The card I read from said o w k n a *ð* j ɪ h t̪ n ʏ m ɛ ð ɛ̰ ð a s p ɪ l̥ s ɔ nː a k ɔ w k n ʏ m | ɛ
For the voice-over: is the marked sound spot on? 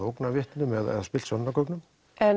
no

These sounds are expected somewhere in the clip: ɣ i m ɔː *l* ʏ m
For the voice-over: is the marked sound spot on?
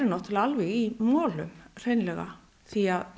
yes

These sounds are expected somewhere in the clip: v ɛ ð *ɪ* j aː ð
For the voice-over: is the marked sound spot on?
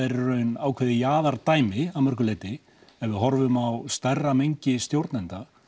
yes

